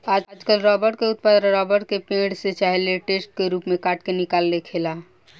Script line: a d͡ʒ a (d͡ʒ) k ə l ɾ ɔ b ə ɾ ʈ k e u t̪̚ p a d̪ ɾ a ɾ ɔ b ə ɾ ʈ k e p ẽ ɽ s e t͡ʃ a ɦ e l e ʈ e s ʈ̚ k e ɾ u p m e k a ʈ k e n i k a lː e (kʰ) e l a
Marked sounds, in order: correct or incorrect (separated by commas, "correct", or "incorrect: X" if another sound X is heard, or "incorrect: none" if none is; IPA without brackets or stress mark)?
correct, correct